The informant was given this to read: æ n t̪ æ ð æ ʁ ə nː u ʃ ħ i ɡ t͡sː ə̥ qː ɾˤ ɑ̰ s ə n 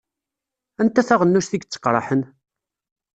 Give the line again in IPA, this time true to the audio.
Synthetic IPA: æ n t̪ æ θ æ ʁ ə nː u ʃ θ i ɡ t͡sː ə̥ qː ɾˤ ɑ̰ ħ ə n

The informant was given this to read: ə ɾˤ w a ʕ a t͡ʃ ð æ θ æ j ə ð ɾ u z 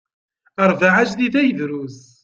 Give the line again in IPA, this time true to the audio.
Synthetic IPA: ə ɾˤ v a ʕ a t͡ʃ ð i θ æ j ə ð ɾ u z

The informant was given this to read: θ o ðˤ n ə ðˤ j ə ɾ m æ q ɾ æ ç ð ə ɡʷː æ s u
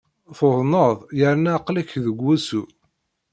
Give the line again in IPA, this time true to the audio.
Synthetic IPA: θ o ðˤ n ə ðˤ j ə ɾ n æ q l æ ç ð ə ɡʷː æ s u

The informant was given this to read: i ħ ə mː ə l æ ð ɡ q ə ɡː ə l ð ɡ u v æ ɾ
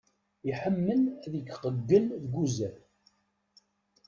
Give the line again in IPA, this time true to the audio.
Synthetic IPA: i ħ ə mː ə l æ ð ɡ q ə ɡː ə l ð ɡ u z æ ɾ

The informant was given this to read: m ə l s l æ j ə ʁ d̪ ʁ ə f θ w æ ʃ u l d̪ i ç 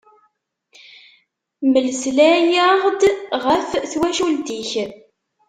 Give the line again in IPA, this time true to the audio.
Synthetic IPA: m ə l s l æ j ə ʁ d̪ ʁ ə f θ w æ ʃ u l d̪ i ç

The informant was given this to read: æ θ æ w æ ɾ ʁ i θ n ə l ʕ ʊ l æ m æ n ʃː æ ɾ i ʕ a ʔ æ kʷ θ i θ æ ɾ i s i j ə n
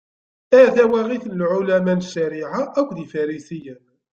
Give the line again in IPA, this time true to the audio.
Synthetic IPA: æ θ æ w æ ʁ i θ n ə l ʕ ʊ l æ m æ n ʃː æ ɾ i ʕ a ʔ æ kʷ ð i f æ ɾ i s i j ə n

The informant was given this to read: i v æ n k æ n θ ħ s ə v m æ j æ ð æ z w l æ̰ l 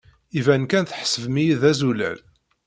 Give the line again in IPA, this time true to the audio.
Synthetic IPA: i v æ n k æ n θ ħ s ə v m i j i ð æ z u l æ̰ l

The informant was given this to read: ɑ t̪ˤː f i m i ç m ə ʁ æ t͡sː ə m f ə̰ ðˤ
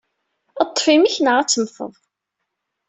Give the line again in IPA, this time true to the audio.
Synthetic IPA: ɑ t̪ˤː f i m i ç n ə ʁ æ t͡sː ə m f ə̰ ðˤ

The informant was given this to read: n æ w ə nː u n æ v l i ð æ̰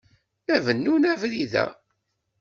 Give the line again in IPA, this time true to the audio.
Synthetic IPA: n æ v ə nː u n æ v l i ð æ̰

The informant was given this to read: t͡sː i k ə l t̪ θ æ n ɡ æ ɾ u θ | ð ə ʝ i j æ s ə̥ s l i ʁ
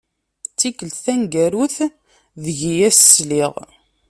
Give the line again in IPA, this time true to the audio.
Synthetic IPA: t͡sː i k ə l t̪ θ æ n ɡ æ ɾ u θ | ð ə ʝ i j æ s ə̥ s l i ʁ

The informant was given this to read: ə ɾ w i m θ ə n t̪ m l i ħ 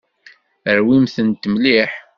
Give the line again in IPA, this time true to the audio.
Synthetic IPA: ə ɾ w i m θ ə n t̪ m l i ħ

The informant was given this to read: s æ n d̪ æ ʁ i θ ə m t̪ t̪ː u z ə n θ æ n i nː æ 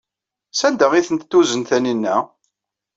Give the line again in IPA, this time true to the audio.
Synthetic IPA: s æ n d̪ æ ʁ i θ ə n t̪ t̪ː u z ə n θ æ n i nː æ

